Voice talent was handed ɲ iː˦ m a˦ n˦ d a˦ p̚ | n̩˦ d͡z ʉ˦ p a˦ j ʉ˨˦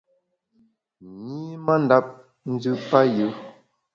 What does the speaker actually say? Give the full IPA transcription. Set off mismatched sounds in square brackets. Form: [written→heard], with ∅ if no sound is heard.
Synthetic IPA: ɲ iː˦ m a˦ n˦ d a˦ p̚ | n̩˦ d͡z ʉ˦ p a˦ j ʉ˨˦